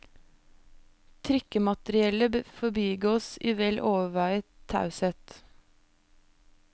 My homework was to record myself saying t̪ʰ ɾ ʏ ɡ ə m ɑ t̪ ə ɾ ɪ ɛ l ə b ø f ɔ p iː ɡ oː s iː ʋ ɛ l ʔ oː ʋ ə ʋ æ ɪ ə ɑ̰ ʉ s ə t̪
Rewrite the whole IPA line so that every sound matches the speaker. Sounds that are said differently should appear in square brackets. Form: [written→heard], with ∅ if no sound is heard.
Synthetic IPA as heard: t̪ʰ ɾ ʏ [ɡ→k] ə m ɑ t̪ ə ɾ ɪ ɛ l ə b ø f ɔ [p→b] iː ɡ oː s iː ʋ ɛ l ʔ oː ʋ ə ʋ æ ɪ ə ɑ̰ ʉ s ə t̪